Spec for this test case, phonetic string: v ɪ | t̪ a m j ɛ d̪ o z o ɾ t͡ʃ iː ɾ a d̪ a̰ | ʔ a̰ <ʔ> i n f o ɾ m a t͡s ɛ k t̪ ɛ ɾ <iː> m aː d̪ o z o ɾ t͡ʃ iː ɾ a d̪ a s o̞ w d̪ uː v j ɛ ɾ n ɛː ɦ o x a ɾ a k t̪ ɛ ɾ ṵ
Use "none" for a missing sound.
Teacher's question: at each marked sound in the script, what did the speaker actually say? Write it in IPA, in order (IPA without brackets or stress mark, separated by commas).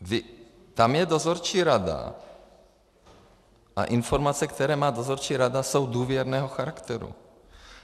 ʔ, ɛː